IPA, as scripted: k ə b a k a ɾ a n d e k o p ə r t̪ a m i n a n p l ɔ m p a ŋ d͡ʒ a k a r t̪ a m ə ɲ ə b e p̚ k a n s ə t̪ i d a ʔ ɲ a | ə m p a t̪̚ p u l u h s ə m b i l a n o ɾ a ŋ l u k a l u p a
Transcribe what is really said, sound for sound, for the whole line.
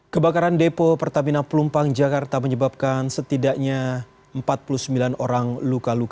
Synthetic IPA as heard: k ə b a k a ɾ a n d e p o p ə r t̪ a m i n a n p l u m p a ŋ d͡ʒ a k a r t̪ a m ə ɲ ə b a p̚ k a n s ə t̪ i d a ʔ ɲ a | ə m p a t̪̚ p u l u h s ə m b i l a n o ɾ a ŋ l u k a l u k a